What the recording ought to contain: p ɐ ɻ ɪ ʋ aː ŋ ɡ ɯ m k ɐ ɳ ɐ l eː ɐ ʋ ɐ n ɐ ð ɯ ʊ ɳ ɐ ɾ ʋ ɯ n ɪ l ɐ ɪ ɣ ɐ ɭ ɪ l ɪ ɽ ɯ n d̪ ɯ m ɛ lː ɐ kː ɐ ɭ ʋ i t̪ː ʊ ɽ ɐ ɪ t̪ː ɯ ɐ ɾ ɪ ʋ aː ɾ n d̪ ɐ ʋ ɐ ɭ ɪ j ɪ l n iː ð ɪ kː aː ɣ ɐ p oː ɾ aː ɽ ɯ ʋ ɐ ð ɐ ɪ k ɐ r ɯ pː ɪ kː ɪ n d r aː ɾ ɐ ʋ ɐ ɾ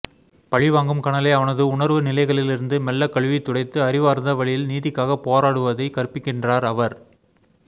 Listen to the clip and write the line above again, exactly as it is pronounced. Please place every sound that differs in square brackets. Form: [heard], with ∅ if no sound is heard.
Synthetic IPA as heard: p ɐ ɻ ɪ ʋ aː ŋ ɡ ɯ m k ɐ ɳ ɐ l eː ɐ ʋ ɐ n ɐ ð ɯ ʊ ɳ ɐ ɾ ʋ ɯ n ɪ l ɐ ɪ ɣ ɐ ɭ ɪ l ɪ [ɾ] ɯ n d̪ ɯ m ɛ lː ɐ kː ɐ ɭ ʋ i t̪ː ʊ ɽ ɐ ɪ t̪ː ɯ ɐ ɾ ɪ ʋ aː ɾ n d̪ ɐ ʋ ɐ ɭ ɪ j ɪ l n iː ð ɪ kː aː ɣ ɐ p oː ɾ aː ɽ ɯ ʋ ɐ ð ɐ ɪ k ɐ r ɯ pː ɪ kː ɪ n d r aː ɾ ɐ ʋ ɐ ɾ

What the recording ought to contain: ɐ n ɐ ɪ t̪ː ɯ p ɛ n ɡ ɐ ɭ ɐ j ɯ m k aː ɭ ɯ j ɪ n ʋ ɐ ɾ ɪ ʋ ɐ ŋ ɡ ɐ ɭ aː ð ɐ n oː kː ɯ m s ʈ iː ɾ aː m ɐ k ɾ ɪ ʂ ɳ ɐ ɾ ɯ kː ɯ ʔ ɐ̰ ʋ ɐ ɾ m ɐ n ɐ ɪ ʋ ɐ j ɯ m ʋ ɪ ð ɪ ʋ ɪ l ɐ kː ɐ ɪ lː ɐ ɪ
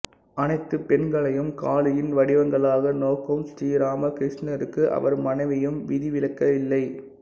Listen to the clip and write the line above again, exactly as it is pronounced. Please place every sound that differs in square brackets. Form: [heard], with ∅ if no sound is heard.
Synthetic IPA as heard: ɐ n ɐ ɪ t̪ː ɯ p ɛ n ɡ ɐ ɭ ɐ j ɯ m k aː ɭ ɯ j ɪ n ʋ ɐ [ɽ] ɪ ʋ ɐ ŋ ɡ ɐ ɭ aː [ɣ] ɐ n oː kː ɯ m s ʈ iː ɾ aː m ɐ k ɾ ɪ ʂ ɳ ɐ ɾ ɯ kː ɯ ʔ ɐ̰ ʋ ɐ ɾ m ɐ n ɐ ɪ ʋ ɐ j ɯ m ʋ ɪ ð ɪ ʋ ɪ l ɐ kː ɐ ɪ lː ɐ ɪ

